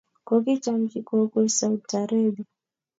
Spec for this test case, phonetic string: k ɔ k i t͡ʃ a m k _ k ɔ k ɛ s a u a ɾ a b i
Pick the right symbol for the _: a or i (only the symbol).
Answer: i